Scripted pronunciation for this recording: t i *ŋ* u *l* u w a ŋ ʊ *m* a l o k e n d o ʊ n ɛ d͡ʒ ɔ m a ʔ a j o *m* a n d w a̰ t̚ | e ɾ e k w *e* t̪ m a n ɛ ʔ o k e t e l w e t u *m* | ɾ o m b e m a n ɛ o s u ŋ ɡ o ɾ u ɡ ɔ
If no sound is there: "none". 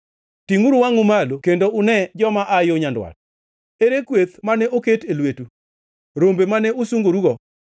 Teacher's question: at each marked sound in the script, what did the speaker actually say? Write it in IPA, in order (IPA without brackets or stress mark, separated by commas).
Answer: ŋ, ɾ, m, ɲ, e, none